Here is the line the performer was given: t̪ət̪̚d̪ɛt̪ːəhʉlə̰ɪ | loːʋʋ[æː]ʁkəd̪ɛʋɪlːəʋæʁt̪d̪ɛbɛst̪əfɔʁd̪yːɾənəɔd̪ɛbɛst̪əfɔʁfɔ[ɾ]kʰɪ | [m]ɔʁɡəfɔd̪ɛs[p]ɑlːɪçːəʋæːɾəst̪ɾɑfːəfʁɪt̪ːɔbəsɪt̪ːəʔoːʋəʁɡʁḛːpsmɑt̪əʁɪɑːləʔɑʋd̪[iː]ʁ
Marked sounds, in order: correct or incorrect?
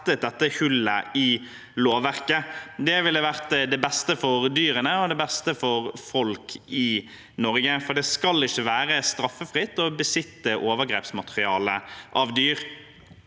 incorrect: æ, incorrect: l, incorrect: n, incorrect: k, incorrect: yː

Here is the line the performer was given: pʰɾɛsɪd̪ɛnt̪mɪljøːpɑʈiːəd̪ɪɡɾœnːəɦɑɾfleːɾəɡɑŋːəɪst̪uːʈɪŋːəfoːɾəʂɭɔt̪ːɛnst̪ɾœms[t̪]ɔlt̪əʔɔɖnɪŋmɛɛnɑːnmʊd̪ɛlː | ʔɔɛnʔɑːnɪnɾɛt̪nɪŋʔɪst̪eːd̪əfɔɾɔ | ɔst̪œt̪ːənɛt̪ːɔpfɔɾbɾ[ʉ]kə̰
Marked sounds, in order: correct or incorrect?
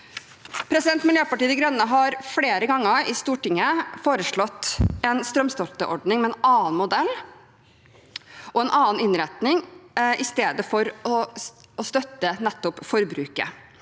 correct, incorrect: ʉː

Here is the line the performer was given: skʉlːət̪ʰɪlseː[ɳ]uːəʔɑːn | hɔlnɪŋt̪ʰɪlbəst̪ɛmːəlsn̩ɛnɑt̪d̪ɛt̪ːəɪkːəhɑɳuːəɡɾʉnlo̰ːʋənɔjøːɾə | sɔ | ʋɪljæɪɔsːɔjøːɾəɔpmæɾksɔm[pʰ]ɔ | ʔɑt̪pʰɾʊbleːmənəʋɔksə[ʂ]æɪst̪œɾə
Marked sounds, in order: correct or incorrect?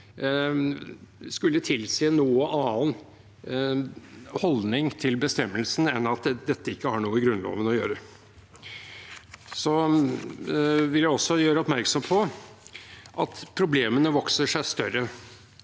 incorrect: n, correct, correct

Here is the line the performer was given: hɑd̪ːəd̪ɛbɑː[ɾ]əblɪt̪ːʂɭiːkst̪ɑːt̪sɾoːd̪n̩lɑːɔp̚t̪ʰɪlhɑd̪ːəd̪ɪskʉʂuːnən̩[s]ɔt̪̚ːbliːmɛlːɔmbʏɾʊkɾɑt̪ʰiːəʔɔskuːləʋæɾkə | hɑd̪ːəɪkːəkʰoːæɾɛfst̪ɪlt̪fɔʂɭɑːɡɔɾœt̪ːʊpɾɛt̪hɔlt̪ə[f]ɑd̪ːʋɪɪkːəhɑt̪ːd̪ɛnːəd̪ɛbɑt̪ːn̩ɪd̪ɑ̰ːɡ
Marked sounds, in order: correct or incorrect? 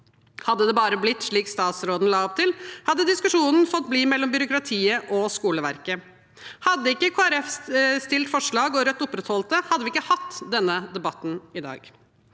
correct, incorrect: f, incorrect: h

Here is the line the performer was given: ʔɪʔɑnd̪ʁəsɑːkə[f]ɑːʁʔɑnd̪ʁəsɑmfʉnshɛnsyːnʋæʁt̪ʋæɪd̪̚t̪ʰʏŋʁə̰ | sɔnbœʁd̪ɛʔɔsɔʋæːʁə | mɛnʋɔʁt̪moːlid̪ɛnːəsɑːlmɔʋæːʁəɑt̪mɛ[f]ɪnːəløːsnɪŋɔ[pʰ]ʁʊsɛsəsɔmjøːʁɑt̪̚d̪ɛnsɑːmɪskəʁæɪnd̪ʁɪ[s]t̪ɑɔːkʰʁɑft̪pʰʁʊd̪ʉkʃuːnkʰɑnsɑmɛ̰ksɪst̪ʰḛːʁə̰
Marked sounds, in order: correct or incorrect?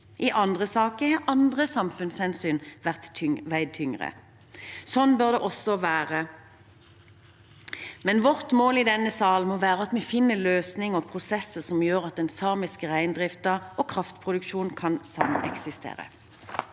incorrect: h, correct, correct, incorrect: f

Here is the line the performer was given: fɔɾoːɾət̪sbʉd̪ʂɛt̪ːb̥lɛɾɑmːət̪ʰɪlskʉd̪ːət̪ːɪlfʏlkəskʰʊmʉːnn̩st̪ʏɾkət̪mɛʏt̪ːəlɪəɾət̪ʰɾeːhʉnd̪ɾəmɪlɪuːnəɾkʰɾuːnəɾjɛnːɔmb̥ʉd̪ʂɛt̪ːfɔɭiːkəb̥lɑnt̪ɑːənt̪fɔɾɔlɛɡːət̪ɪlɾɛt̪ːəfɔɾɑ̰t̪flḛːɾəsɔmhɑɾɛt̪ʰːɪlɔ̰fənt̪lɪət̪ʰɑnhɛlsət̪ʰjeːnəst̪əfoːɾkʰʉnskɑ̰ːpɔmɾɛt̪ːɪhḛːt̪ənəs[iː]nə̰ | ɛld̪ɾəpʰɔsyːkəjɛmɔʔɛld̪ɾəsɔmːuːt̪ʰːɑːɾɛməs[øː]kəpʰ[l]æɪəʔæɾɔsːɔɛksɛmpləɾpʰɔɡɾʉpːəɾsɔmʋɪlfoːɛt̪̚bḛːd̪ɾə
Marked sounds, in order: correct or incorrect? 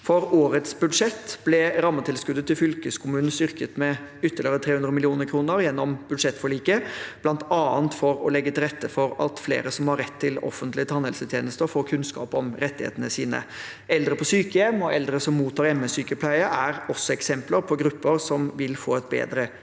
correct, incorrect: yː, correct

